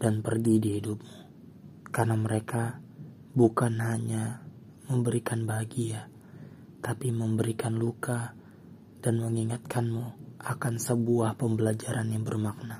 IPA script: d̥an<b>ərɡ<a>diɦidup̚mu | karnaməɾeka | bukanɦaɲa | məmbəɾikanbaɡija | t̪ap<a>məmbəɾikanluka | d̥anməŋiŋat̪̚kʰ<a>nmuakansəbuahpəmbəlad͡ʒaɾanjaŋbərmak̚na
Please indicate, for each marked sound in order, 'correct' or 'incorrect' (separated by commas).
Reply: incorrect, incorrect, incorrect, correct